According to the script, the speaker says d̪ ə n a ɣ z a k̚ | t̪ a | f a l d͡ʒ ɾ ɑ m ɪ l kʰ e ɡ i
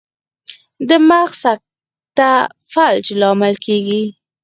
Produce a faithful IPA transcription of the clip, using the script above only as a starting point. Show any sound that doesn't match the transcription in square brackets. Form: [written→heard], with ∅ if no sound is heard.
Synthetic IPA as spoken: d̪ ə [n→m] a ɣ [z→s] a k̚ | t̪ a | f a l d͡ʒ [ɾ→l] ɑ m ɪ l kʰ e ɡ i